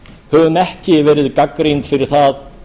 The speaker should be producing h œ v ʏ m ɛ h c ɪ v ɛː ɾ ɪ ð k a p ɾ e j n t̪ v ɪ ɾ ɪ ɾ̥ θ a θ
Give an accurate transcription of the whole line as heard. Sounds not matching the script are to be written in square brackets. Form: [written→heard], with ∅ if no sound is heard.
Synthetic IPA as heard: h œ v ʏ m ɛ h c ɪ v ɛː ɾ ɪ ð k a [p→k] ɾ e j n t̪ [v→f] ɪ ɾ ɪ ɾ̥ θ a [θ→ð]